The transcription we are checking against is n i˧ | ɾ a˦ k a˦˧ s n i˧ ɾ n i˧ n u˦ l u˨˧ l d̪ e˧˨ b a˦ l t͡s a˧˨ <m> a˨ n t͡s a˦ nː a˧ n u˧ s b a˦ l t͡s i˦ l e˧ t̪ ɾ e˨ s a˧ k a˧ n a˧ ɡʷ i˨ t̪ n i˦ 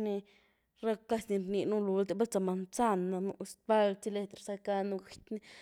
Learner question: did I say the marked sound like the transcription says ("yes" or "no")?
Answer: yes